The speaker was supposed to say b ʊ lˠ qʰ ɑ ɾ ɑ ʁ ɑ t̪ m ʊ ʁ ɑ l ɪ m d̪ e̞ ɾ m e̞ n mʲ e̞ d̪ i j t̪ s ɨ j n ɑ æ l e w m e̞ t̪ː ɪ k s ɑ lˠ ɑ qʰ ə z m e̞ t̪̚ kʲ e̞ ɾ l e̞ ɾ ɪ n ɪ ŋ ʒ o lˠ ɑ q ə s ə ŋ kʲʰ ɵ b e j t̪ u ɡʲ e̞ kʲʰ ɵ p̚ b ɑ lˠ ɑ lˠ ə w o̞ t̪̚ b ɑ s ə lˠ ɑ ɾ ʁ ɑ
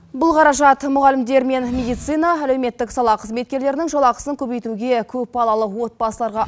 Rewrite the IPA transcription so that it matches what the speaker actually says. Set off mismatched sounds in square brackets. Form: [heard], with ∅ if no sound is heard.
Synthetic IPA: b ʊ lˠ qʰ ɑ ɾ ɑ [ʒ] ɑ t̪ m ʊ ʁ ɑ l ɪ m d̪ e̞ ɾ m e̞ n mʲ e̞ d̪ i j t̪ s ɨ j n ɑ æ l e w m e̞ t̪ː ɪ k s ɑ lˠ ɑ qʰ ə z m e̞ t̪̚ kʲ e̞ ɾ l e̞ ɾ ɪ n ɪ ŋ ʒ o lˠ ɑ q ə s ə ŋ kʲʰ ɵ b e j t̪ u ɡʲ e̞ kʲʰ ɵ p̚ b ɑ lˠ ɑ lˠ ə w o̞ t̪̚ b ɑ s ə lˠ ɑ ɾ ʁ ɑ